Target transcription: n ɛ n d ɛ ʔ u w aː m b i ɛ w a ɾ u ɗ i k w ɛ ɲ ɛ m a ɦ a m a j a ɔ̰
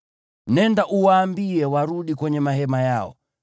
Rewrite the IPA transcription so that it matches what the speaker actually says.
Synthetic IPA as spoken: n ɛ n d a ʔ u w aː m b i ɛ w a ɾ u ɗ i k w ɛ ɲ ɛ m a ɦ ɛ m a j a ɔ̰

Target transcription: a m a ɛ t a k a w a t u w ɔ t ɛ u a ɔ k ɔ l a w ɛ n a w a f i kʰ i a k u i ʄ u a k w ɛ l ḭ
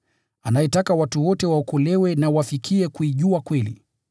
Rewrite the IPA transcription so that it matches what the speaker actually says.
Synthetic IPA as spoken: a n a ɛ t a k a w a t u w ɔ t ɛ w a ɔ k ɔ l ɛ w ɛ n a w a f i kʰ i ɛ k u i ʄ u a k w ɛ l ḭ

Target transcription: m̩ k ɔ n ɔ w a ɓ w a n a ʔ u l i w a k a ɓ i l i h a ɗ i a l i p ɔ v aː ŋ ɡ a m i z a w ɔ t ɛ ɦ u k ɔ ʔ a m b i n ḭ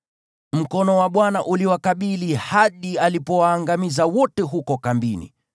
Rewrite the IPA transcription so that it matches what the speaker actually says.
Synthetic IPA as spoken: m̩ k ɔ n ɔ w a ɓ w a n a ʔ u l i w a k a ɓ i l i h a ɗ i a l i p ɔ w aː ŋ ɡ a m i z a w ɔ t ɛ ɦ u k ɔ k a m b i n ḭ

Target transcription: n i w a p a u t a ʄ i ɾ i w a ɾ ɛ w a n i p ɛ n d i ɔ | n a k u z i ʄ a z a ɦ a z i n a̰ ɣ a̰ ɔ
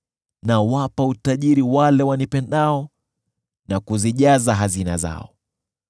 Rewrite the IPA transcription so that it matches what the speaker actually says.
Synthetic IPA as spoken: n a w a p a u t a ʄ i ɾ i w a l ɛ w a n i p ɛ n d a ɔ | n a k u z i ʄ a z a ɦ a z i n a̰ z a̰ ɔ

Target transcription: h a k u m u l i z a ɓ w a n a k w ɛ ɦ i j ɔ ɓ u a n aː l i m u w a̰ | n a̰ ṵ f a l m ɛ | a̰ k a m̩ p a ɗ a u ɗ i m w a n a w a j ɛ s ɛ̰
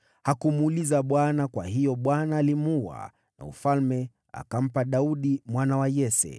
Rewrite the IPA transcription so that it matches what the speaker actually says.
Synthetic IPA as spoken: h a k u m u l i z a ɓ w a n a k w a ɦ i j ɔ ɓ w a n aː l i m u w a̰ | n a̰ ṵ f a l m ɛ | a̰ k a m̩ p a ɗ a u ɗ i m w a n a w a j ɛ s ɛ̰

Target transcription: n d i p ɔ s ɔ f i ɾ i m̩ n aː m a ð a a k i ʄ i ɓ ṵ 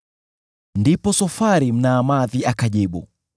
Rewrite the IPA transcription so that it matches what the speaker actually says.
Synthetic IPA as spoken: n d i p ɔ s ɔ f a ɾ i m̩ n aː m a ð i a k a ʄ i ɓ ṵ

